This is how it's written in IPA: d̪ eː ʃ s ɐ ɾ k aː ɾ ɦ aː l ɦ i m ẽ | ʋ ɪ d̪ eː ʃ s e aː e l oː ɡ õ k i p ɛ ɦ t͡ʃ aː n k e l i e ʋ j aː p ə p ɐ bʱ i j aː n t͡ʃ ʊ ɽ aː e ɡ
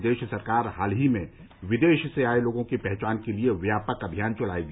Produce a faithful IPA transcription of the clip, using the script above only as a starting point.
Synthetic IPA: d̪ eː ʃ s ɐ ɾ k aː ɾ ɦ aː l ɦ i m ẽ | ʋ ɪ d̪ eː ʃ s e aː e l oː ɡ õ k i p ɛ ɦ t͡ʃ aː n k e l i e ʋ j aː p ə k ɐ bʱ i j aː n t͡ʃ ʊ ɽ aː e ɡ